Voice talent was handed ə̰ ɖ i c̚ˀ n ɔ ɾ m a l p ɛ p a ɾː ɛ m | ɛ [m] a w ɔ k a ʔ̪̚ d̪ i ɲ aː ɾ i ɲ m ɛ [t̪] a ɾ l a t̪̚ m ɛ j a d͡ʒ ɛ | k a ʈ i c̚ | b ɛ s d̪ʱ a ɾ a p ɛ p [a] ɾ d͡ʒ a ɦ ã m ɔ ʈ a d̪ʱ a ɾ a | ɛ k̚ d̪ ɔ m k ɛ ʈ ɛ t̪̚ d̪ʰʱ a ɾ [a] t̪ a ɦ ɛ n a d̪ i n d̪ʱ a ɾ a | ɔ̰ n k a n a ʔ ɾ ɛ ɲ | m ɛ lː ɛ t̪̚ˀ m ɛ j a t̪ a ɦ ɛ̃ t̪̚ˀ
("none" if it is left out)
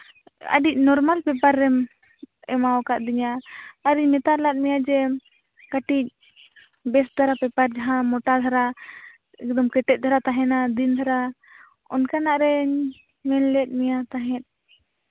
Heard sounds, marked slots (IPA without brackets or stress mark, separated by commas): m, t̪, a, a